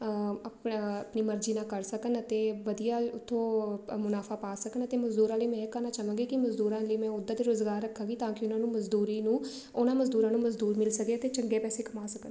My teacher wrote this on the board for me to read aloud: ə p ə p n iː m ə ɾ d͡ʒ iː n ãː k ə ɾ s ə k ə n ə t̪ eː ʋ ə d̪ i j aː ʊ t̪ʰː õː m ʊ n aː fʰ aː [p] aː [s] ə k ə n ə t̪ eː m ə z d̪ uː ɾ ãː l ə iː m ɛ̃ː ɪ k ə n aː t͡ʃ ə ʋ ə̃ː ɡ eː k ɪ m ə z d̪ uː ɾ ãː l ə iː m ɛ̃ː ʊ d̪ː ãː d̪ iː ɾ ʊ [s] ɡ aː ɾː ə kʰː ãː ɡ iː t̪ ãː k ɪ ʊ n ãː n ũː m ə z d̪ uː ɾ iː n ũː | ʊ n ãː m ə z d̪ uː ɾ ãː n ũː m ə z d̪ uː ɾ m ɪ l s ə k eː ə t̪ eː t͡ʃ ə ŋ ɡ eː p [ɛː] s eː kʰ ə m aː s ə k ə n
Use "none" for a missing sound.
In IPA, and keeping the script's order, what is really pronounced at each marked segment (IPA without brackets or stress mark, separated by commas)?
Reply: p, s, z, ɛː